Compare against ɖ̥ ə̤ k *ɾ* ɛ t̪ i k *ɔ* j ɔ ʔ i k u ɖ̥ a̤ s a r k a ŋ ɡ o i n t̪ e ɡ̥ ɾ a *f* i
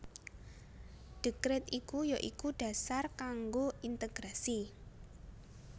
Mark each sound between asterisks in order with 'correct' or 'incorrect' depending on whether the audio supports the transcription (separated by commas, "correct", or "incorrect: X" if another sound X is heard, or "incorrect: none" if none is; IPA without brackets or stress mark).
correct, incorrect: u, incorrect: s